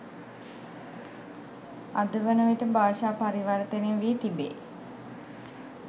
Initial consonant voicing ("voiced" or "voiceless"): voiced